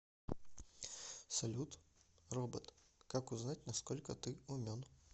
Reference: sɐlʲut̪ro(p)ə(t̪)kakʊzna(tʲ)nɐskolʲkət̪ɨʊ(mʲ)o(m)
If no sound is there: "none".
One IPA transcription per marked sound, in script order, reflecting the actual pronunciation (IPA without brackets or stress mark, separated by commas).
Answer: b, t̪, tʲ, mʲ, n